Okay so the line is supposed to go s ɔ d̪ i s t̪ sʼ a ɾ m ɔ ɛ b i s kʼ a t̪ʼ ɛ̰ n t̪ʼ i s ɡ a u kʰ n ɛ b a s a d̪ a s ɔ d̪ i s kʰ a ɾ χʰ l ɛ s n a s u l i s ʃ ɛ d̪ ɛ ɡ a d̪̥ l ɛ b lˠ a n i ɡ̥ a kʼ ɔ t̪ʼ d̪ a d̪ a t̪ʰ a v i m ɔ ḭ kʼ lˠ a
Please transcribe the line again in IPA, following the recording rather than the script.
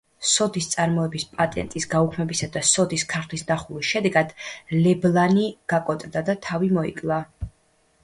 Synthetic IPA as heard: s ɔ d̪ i s t̪ sʼ a ɾ m ɔ ɛ b i s pʼ a t̪ʼ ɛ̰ n t̪ʼ i s ɡ a u kʰ m ɛ b i s a d̪ a s ɔ d̪ i s kʰ a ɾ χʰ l i s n a χ u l i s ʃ ɛ d̪ ɛ ɡ a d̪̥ l ɛ b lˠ a n i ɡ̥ a kʼ ɔ t̪ʼ d̪ a d̪ a t̪ʰ a v i m ɔ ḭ kʼ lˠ a